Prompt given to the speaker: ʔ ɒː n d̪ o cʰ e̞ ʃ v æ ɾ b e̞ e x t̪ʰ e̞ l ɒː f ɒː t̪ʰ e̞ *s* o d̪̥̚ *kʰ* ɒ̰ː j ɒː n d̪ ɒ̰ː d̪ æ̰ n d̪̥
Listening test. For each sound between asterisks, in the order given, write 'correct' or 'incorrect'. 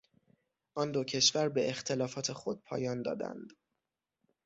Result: incorrect: x, incorrect: pʰ

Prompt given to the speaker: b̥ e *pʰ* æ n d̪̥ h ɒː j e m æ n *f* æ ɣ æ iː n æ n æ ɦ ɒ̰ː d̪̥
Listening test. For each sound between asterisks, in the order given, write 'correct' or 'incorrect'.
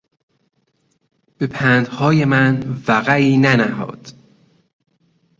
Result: correct, incorrect: v

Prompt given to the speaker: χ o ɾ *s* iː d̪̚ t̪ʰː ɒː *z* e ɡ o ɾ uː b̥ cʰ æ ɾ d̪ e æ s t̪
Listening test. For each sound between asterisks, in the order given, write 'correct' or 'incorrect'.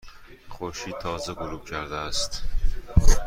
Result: incorrect: ʃ, correct

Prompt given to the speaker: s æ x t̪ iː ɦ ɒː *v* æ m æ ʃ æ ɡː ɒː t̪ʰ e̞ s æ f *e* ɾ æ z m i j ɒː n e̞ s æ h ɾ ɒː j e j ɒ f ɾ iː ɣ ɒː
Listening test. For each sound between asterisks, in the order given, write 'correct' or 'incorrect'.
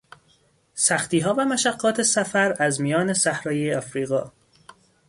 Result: correct, incorrect: æ

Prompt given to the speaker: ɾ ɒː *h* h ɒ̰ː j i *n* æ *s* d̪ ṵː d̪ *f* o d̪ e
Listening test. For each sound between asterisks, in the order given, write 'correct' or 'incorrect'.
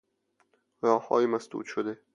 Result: correct, incorrect: m, correct, incorrect: ʃ

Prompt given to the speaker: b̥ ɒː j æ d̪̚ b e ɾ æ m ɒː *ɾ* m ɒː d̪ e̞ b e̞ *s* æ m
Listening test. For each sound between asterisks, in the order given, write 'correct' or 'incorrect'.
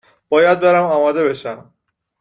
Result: incorrect: none, incorrect: ʃ

